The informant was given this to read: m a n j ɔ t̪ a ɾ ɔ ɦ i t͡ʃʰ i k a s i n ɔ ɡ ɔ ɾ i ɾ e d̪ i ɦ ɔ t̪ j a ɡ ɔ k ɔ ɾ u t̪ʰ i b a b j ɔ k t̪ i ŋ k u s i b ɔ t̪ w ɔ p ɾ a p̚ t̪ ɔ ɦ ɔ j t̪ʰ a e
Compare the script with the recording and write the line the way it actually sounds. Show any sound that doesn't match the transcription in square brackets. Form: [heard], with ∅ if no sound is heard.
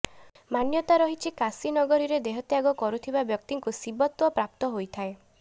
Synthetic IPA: m a n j ɔ t̪ a ɾ ɔ ɦ i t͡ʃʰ i k a s i n ɔ ɡ ɔ ɾ i ɾ e d̪ [e] ɦ ɔ t̪ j a ɡ ɔ k ɔ ɾ u t̪ʰ i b a b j ɔ k t̪ i ŋ k u s i b ɔ t̪ w ɔ p ɾ a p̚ t̪ ɔ ɦ [o] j t̪ʰ a e